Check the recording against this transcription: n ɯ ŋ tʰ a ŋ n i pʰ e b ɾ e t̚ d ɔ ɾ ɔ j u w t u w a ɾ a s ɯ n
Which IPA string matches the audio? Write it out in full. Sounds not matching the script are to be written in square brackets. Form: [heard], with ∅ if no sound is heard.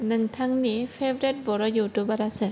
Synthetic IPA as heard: n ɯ ŋ tʰ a ŋ n i pʰ e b ɾ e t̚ [b] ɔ ɾ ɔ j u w t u [b] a ɾ a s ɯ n